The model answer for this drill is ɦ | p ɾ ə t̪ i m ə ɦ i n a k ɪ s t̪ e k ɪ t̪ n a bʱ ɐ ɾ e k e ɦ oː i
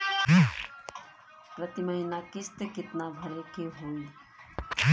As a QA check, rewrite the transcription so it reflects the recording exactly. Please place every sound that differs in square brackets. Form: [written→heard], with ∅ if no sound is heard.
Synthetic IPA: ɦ | p ɾ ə t̪ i m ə ɦ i n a k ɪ s t̪ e k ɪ t̪ n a bʱ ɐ ɾ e k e ɦ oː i